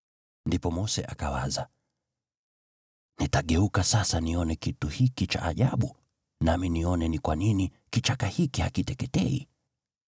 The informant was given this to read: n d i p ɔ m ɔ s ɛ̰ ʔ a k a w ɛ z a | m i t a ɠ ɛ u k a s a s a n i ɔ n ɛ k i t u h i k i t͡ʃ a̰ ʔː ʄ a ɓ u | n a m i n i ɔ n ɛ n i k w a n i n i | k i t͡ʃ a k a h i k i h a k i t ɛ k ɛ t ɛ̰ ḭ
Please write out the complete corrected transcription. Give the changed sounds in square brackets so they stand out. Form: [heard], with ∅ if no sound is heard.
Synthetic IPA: n d i p ɔ m ɔ s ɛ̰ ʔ a k a w [a] z a | [n] i t a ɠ ɛ u k a s a s a n i ɔ n ɛ k i t u h i k i t͡ʃ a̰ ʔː ʄ a ɓ u | n a m i n i ɔ n ɛ n i k w a n i n i | k i t͡ʃ a k a h i k i h a k i t ɛ k ɛ t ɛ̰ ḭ